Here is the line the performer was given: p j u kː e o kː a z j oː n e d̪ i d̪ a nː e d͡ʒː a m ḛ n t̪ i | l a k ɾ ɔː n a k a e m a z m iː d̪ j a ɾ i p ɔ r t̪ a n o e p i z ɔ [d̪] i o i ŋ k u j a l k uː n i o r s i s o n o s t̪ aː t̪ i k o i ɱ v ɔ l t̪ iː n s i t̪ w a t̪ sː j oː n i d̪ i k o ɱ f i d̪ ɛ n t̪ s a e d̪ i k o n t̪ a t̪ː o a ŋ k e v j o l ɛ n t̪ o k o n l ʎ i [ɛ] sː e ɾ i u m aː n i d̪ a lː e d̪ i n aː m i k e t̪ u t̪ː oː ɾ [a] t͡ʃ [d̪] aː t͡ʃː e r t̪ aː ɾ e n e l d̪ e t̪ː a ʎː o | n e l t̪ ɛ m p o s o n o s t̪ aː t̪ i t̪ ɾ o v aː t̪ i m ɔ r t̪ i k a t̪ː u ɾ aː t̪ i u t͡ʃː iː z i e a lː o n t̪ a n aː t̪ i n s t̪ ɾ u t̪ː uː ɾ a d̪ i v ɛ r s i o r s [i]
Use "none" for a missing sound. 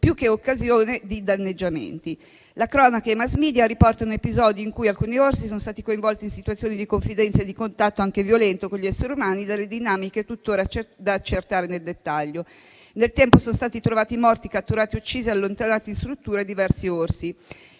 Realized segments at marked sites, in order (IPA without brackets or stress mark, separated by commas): d̪, ɛ, a, d̪, i